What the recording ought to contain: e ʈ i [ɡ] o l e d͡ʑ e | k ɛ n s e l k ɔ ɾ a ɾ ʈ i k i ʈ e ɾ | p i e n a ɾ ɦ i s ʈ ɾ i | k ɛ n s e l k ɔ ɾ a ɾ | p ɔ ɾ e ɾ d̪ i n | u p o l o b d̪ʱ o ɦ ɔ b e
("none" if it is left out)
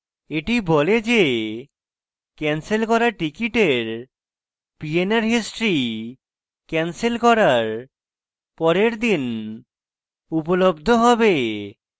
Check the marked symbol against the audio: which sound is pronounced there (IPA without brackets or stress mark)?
b